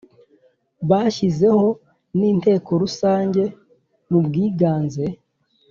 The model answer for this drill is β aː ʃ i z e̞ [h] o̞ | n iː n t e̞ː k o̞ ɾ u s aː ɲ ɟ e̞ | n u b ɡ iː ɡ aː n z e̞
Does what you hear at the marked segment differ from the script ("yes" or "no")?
no